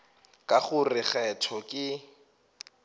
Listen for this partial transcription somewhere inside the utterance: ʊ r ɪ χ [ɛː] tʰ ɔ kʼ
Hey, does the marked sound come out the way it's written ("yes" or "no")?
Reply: no